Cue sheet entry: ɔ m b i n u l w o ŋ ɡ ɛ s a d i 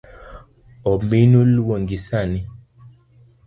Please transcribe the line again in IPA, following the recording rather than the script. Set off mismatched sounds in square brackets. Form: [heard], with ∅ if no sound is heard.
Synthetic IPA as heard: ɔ m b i n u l w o ŋ ɡ [i] s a [n] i